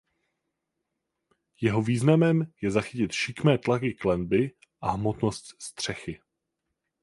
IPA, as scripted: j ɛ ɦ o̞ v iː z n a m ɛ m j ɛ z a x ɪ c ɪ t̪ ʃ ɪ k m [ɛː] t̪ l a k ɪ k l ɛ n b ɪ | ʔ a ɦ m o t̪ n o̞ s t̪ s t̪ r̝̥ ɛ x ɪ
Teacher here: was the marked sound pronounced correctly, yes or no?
yes